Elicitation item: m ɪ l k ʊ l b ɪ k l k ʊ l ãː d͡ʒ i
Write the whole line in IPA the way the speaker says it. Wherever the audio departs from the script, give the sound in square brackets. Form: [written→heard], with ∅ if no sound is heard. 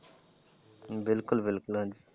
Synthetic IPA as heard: [m→b] ɪ l k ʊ l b ɪ [k→∅] l k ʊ l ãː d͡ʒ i